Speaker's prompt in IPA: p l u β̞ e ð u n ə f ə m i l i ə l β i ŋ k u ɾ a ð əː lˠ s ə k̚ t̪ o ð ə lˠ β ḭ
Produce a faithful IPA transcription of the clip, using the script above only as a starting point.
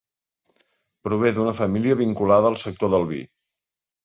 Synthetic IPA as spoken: p ɾ u β̞ e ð u n ə f ə m i l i ə β i ŋ k u l a ð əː lˠ s ə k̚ t̪ o ð ə lˠ β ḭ